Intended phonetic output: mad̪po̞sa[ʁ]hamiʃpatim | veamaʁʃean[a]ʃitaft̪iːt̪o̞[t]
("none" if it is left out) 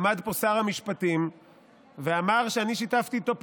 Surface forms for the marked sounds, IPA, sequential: ʁ, i, p

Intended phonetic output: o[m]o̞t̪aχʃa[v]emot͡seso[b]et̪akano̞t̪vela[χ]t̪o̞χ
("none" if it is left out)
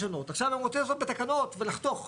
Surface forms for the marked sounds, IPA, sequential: n, v, b, χ

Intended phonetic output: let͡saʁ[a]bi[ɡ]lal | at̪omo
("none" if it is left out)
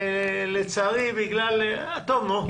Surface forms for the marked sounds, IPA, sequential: i, ɡ

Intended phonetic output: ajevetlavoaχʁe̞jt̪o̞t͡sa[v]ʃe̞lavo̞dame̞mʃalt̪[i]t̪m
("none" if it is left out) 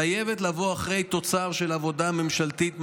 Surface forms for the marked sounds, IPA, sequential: ʁ, i

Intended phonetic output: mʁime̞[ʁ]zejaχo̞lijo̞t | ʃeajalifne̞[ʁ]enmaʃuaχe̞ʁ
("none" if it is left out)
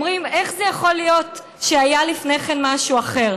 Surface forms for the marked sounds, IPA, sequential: χ, χ

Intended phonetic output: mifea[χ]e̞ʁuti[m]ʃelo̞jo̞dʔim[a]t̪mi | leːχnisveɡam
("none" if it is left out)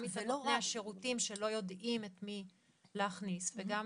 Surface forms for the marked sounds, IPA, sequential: ʃ, m, e

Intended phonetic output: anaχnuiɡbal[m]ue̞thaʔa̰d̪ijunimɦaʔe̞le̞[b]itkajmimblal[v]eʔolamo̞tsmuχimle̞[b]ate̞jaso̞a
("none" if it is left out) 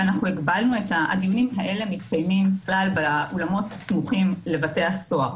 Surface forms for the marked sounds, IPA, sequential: n, m, b, v

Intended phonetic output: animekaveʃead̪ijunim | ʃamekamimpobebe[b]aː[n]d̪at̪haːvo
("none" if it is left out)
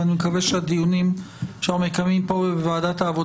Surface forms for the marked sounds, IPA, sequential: v, none

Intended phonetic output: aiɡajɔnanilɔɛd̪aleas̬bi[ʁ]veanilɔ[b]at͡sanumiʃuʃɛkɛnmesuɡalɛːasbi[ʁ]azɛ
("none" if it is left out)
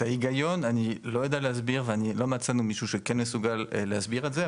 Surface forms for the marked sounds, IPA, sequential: ʁ, m, ʁ

